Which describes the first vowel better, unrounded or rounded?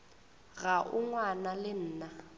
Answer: unrounded